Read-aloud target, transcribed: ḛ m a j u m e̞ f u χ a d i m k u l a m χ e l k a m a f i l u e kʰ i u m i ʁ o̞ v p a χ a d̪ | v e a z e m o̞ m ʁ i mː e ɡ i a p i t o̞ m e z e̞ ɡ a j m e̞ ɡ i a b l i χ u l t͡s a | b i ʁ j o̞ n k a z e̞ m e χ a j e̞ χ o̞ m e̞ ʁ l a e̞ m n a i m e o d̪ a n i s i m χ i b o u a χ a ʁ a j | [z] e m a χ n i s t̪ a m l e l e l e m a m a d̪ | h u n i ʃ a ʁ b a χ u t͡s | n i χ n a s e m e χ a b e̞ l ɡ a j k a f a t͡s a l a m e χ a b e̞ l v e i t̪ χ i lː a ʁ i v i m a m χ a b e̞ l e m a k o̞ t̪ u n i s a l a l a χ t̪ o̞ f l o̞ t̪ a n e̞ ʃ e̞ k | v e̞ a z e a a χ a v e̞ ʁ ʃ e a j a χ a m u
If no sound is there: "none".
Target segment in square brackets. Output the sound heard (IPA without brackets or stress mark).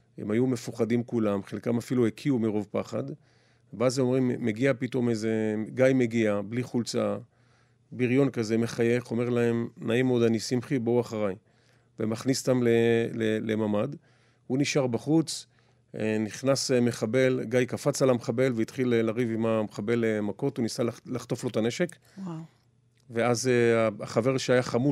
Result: v